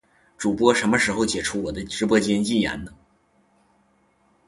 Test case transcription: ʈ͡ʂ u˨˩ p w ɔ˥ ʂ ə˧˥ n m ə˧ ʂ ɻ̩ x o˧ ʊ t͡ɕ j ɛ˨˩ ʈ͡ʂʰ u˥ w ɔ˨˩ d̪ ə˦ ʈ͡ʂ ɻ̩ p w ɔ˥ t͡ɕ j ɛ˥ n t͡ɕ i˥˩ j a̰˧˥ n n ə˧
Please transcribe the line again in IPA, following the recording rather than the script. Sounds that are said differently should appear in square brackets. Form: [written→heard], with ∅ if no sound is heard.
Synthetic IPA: ʈ͡ʂ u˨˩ p w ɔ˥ ʂ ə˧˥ n m ə˧ ʂ ɻ̩ x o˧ ʊ t͡ɕ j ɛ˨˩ ʈ͡ʂʰ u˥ w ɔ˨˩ d̪ ə˦ ʈ͡ʂ ɻ̩ p w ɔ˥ t͡ɕ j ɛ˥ n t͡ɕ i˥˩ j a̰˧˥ n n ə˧